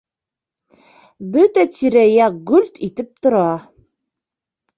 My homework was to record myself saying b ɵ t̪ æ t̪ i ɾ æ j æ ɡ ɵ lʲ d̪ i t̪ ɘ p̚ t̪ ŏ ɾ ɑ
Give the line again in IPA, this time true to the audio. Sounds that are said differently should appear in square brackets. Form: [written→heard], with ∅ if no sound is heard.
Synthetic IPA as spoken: b ɵ t̪ æ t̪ i ɾ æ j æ ɡ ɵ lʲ [d̪→t̪] i t̪ ɘ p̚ t̪ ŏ ɾ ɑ